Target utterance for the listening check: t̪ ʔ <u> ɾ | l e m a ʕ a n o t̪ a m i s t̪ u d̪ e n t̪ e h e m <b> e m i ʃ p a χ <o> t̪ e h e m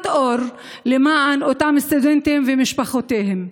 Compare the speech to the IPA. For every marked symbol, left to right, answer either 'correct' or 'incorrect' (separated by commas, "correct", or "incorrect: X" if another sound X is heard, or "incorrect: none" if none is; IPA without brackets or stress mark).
incorrect: o, incorrect: v, correct